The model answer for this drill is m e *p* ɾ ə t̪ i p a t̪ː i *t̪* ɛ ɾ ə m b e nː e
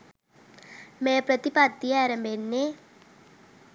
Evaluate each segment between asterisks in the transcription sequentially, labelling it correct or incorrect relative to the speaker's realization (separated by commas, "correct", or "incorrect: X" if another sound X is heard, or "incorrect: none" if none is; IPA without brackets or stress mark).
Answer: correct, incorrect: none